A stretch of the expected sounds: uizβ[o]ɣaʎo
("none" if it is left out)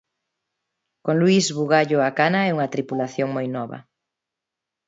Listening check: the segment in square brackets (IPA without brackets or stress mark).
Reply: u